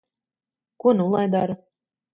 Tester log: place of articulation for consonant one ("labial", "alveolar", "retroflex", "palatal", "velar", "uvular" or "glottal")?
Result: velar